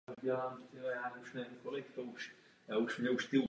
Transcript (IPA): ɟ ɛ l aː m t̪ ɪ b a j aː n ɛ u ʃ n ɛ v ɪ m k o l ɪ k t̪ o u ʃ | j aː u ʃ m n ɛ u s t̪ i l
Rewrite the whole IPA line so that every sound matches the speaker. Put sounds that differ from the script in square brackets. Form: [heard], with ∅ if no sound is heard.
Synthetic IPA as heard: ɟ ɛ l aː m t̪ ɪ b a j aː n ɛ u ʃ n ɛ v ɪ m k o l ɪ k t̪ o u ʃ | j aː u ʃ m [ɲ] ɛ u [ʃ] t̪ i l